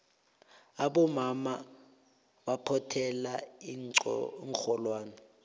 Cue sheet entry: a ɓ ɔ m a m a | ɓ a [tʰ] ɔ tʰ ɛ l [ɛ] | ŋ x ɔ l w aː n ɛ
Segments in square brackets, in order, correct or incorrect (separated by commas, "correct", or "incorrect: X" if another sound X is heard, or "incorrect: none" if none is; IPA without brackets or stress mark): incorrect: pʰ, incorrect: a